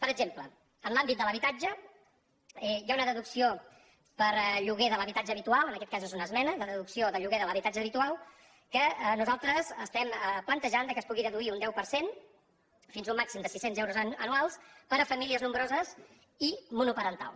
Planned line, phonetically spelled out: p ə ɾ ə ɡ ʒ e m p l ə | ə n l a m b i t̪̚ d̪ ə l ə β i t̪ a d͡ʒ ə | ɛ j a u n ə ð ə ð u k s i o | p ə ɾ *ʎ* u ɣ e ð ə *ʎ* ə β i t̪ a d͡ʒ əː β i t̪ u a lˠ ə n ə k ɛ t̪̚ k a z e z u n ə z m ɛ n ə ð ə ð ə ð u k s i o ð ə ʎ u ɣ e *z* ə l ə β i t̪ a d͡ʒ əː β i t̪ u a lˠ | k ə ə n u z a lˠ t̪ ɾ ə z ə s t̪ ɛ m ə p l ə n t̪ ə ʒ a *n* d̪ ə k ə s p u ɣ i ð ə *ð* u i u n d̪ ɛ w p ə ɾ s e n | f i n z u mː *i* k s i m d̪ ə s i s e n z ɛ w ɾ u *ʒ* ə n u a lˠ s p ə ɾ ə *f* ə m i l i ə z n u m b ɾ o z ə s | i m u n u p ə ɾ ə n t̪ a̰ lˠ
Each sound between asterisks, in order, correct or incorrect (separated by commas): correct, incorrect, incorrect, correct, correct, incorrect, incorrect, correct